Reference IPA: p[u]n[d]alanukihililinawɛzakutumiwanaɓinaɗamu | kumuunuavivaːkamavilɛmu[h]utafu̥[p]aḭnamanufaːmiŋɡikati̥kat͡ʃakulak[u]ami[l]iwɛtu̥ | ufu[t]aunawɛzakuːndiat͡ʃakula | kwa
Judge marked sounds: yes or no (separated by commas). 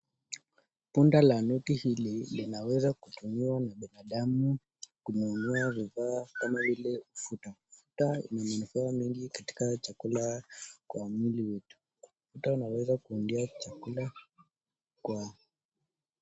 yes, yes, no, no, no, yes, yes